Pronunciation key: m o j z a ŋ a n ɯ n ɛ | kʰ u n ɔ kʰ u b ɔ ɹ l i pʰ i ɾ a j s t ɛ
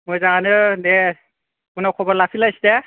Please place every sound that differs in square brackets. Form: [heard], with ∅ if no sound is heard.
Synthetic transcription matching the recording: m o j z a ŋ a n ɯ n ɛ | [k] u n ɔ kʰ [ɔ] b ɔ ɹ l [a] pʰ i [l] a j s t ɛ